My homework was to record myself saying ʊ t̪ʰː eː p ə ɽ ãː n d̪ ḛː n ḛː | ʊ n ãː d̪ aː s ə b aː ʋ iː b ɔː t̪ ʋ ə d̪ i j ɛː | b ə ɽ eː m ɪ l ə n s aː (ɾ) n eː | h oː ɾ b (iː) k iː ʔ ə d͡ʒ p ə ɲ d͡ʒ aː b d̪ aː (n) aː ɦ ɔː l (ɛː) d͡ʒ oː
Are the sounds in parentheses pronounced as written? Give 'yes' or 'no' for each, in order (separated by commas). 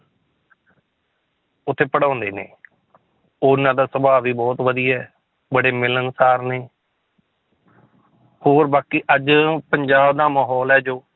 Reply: yes, no, no, yes